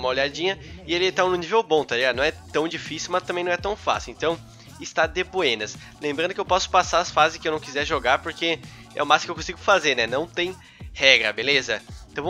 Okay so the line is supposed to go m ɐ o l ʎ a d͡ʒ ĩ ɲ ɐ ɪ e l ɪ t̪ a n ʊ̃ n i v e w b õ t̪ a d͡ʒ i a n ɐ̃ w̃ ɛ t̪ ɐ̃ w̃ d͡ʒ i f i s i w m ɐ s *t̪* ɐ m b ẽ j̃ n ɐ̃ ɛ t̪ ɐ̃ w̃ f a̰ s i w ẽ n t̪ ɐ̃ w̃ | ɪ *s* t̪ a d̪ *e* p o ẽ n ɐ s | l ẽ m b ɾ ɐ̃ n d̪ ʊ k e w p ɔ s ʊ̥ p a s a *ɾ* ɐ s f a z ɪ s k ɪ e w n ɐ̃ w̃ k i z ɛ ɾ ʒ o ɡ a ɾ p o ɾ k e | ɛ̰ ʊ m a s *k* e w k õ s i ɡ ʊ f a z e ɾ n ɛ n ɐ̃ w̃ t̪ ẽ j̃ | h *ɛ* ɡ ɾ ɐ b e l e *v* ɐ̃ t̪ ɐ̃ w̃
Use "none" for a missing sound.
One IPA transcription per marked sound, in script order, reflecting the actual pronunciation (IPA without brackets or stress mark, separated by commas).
t̪, s, e, ɾ, k, ɛ, z